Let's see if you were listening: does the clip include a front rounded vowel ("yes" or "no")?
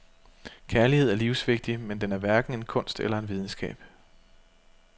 no